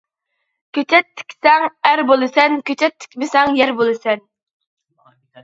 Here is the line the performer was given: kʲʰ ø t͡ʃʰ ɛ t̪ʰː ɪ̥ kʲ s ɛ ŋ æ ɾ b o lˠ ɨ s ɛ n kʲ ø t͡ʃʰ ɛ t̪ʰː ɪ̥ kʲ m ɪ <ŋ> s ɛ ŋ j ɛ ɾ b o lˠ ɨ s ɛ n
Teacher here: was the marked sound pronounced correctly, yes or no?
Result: no